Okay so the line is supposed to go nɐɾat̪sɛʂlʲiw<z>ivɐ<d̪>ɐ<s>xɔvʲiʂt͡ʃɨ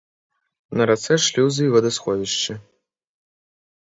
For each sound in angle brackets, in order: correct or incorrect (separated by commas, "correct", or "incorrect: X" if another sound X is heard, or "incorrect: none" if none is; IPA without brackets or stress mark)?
correct, correct, correct